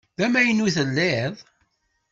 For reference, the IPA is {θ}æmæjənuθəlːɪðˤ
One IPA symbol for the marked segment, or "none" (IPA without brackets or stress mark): ð